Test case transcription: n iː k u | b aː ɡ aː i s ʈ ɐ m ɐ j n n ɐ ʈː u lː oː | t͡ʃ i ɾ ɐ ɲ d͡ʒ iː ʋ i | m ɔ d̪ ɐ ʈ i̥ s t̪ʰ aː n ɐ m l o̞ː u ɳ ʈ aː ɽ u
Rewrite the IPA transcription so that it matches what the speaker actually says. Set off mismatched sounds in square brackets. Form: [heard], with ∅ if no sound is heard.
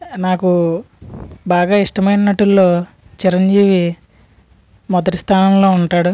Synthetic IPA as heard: n [aː] k u | b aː ɡ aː i [ʂ] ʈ ɐ m ɐ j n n ɐ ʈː u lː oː | t͡ʃ i ɾ ɐ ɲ d͡ʒ iː ʋ i | m ɔ d̪ ɐ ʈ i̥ s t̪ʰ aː n ɐ m l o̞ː u ɳ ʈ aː ɽ u